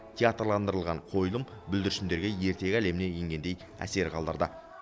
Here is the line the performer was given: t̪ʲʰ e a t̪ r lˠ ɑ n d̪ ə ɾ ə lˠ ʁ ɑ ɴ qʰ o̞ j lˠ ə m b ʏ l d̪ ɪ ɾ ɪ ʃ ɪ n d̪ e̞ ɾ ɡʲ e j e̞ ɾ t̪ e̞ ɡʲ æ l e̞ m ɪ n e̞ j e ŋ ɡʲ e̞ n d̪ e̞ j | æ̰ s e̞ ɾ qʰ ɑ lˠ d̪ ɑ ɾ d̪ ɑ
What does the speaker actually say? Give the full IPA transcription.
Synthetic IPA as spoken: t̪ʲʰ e a t̪ r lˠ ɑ n d̪ ə ɾ ə lˠ ʁ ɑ ɴ qʰ o̞ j lˠ ə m b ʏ l d̪ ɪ ɾ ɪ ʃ ɪ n d̪ e̞ ɾ ɡʲ e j e̞ ɾ t̪ e̞ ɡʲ æ l e̞ m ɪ n e̞ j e ŋ ɡʲ e̞ n d̪ e̞ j | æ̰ s e̞ ɾ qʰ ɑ lˠ d̪ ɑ ɾ d̪ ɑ

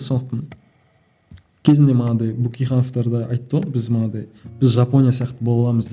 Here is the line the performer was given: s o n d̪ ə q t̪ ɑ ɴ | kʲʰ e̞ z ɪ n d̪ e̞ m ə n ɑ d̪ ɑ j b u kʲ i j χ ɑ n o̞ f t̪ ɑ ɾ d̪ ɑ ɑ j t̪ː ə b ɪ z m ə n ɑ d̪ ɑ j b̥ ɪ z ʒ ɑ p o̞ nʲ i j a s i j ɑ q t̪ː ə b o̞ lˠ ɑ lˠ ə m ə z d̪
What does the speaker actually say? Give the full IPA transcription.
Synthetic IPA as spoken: s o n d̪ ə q t̪ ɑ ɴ | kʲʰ e̞ z ɪ n d̪ e̞ m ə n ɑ d̪ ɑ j b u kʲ i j χ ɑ n o̞ f t̪ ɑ ɾ d̪ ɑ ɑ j t̪ː ə b ɪ z m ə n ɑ d̪ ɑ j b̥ ɪ z ʒ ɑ p o̞ nʲ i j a s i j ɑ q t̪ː ə b o̞ lˠ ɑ lˠ ɑ m ə z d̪

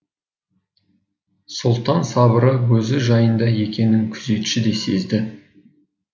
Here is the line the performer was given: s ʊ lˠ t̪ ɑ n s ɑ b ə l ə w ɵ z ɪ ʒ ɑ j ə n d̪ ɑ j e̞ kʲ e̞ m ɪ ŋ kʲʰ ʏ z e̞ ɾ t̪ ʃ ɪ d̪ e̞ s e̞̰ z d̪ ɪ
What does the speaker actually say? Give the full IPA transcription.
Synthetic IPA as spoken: s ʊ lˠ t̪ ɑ n s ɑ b ə ɾ ə w ɵ z ɪ ʒ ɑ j ə n d̪ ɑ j e̞ kʲ e̞ n ɪ ŋ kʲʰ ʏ z e̞ t̪ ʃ ɪ d̪ e̞ s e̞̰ z d̪ ɪ

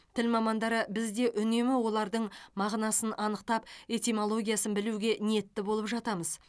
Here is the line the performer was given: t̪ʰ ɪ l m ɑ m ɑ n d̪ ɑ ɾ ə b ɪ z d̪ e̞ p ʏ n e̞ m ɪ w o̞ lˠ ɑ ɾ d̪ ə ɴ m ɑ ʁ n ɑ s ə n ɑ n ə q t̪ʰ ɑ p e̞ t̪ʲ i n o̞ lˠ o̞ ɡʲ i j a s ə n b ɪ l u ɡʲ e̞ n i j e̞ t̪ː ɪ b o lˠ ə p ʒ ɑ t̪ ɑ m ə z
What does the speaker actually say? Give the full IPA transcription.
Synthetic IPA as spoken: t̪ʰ ɪ l m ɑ m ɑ n d̪ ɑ ɾ ə b ɪ z d̪ e̞ ʔ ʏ n e̞ m ɪ w o̞ lˠ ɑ ɾ d̪ ə ɴ m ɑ ʁ n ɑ s ə n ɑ n ə q t̪ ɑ p e̞ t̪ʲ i m o̞ lˠ o̞ ɡʲ i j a s ə n b ɪ l u ɡʲ e̞ n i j e̞ t̪ː ɪ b o lˠ ə p ʒ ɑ t̪ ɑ m ə z

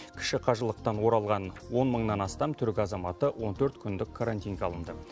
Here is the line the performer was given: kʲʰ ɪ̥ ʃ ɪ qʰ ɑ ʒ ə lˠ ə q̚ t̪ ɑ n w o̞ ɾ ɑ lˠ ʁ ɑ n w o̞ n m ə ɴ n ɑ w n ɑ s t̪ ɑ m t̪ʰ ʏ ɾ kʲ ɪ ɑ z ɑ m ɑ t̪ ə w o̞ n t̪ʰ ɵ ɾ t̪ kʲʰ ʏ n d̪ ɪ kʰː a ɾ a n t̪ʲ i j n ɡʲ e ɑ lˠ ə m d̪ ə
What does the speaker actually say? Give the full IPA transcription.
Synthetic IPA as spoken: kʲʰ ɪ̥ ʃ ɪ qʰ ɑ ʒ ə lˠ ə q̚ t̪ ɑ n w o̞ ɾ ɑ lˠ ʁ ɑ n w o̞ n m ə ɴ n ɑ n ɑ s t̪ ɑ m t̪ʰ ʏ ɾ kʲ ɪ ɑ z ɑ m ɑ t̪ ə w o̞ n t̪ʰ ɵ ɾ t̪ kʲʰ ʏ n d̪ ɪ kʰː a ɾ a n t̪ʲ i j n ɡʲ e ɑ lˠ ə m d̪ ə

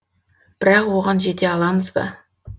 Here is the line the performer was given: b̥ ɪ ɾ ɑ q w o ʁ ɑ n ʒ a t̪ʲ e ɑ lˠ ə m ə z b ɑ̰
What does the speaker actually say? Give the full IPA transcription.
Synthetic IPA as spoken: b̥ ɪ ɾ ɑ q w o ʁ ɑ n ʒ e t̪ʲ e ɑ lˠ ɑ m ə z b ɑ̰

